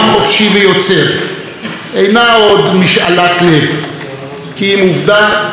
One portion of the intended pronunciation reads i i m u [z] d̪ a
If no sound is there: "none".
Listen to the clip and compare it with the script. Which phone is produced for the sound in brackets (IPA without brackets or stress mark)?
v